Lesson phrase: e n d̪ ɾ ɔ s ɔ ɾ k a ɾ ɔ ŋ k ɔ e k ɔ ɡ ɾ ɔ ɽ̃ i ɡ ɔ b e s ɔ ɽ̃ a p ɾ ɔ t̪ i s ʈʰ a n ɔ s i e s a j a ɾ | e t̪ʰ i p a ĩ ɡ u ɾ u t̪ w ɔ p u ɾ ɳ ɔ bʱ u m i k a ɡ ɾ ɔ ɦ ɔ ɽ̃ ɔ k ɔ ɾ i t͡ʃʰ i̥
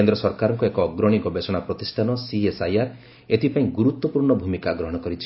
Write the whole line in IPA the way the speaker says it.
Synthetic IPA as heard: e n d̪ ɾ ɔ s ɔ ɾ k a ɾ ɔ ŋ k ɔ e k ɔ ɡ ɾ ɔ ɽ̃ i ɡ ɔ b e s ɔ ɽ̃ a p ɾ ɔ t̪ i s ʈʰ a n ɔ s i e s a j a ɾ | e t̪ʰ i p a ĩ ɡ u ɾ u t̪ w ɔ p u ɾ ɳ ɔ bʱ u m i k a ɡ ɾ ɔ ɦ ɔ ɽ̃ ɔ k ɔ ɾ i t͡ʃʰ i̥